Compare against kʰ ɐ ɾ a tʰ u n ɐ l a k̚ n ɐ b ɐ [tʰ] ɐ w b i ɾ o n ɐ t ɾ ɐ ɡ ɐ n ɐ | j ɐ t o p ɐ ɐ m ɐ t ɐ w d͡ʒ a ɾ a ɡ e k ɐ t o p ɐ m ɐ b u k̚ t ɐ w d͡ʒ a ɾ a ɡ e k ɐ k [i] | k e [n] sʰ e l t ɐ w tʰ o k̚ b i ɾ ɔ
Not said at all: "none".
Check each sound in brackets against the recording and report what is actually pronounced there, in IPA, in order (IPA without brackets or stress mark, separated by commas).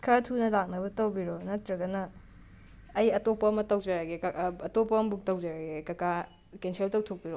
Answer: t, a, n